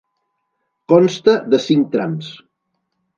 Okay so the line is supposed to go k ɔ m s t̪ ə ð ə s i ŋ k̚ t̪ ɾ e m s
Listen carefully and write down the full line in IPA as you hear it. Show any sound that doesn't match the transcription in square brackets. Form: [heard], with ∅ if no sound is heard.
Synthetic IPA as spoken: k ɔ [n] s t̪ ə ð ə s i ŋ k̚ t̪ ɾ [a] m s